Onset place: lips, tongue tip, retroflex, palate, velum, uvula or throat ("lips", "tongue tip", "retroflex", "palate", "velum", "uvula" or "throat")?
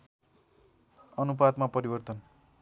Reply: tongue tip